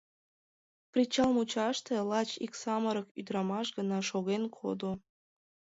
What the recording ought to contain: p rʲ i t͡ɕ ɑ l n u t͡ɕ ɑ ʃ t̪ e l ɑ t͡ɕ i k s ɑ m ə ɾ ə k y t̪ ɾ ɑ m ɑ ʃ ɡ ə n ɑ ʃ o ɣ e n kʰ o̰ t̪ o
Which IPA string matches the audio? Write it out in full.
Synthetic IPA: p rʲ i t͡ɕ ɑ l m u t͡ɕ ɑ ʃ t̪ e l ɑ t͡ɕ i k s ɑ m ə ɾ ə k y d̪ ɾ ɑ m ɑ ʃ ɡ ə n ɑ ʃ o ɣ e n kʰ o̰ d̪ o

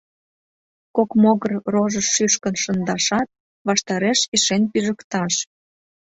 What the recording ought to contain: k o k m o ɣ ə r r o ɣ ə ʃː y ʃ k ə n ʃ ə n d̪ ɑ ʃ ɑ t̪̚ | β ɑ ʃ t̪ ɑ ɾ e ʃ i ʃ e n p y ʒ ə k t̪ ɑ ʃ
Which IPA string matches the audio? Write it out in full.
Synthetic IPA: k o k m o ɣ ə r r o ʒ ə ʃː y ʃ k ə n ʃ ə n d̪ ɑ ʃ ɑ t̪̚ | β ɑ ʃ t̪ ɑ ɾ e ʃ i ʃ e n p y ʒ ə k t̪ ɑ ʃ

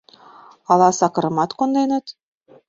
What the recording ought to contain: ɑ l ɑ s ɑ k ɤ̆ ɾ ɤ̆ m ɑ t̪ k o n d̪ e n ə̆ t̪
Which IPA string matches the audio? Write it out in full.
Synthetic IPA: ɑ l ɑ s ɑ k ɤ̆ ɾ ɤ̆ m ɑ t̪ k o n d̪ e n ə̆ t̪

